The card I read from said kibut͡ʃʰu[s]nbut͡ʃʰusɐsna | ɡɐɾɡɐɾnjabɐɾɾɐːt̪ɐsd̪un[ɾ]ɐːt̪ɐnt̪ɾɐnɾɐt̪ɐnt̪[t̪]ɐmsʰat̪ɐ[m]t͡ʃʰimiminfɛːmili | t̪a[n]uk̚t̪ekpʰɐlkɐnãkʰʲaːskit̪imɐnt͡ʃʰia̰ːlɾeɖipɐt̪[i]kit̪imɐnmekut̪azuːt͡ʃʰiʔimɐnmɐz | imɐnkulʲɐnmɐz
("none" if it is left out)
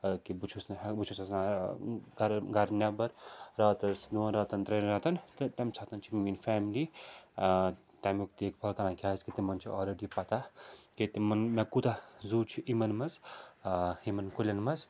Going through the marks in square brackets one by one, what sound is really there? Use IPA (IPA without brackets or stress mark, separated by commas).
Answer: s, ɾ, t̪, n, m, a